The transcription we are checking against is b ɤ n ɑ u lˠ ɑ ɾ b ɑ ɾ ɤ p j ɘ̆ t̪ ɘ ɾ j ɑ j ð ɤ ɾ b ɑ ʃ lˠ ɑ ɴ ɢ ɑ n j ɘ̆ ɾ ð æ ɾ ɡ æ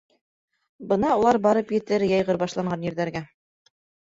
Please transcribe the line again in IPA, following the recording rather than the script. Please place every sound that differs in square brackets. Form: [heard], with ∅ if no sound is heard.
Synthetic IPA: b ɤ n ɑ u lˠ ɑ ɾ b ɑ ɾ ɤ p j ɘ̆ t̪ ɘ ɾ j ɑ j [ʁ] ɤ ɾ b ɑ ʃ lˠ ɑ ɴ ɢ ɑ n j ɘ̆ ɾ ð æ ɾ ɡ æ